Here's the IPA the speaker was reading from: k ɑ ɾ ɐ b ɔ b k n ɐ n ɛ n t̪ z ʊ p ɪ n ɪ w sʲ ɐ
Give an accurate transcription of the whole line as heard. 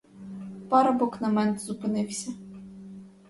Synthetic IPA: p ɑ ɾ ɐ b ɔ k n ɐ m ɛ n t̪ z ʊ p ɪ n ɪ w sʲ ɐ